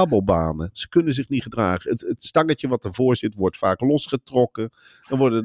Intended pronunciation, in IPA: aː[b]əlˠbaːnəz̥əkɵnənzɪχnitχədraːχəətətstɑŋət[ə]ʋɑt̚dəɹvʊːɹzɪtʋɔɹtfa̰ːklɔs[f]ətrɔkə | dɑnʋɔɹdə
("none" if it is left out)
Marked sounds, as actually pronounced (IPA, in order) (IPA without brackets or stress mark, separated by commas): b, ə, χ